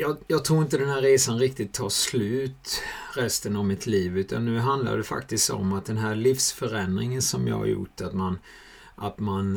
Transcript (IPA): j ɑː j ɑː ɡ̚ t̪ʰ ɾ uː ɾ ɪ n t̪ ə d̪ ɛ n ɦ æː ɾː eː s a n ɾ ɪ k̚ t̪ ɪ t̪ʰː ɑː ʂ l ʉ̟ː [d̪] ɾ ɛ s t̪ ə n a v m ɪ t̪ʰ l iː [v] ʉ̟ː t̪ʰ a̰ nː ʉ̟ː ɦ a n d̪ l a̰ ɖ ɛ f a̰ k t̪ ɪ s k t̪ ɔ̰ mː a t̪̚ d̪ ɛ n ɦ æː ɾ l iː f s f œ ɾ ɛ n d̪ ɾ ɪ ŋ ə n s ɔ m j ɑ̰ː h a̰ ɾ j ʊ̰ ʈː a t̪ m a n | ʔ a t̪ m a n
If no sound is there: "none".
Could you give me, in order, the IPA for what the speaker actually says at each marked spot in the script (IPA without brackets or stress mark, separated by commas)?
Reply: t̪, v